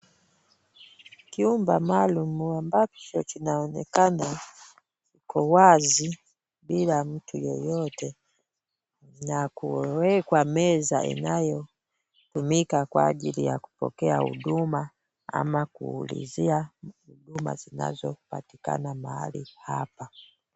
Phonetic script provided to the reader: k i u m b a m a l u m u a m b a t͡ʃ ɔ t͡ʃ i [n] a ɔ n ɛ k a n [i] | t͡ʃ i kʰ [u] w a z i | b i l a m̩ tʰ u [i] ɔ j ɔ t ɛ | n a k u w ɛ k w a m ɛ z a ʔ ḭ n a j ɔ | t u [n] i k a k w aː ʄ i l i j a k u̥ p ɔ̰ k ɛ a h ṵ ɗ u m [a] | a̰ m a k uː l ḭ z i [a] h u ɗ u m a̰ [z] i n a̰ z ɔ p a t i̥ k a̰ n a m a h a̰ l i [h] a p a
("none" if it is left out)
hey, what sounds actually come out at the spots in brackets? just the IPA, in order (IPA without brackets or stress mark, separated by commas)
n, a, ɔ, j, m, a, a, z, h